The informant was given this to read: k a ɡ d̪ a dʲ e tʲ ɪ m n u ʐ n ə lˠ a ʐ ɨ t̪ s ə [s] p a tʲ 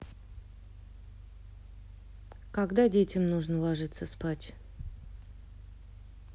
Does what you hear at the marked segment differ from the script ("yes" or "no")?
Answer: no